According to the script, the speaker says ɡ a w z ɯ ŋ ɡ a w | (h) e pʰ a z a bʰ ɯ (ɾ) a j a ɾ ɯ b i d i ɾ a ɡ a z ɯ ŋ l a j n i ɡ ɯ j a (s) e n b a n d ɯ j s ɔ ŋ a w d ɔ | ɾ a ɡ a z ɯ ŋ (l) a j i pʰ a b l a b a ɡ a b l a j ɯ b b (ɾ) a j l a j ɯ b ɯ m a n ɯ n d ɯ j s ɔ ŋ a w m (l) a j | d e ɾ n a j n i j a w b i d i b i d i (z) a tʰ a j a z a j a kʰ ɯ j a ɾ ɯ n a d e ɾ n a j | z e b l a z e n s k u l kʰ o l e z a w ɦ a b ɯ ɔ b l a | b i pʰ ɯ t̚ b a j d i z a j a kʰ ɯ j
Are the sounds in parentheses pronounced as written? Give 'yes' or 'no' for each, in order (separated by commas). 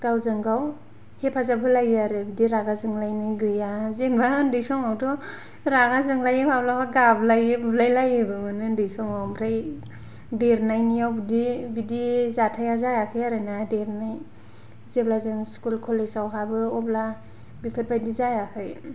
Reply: yes, no, no, yes, no, no, yes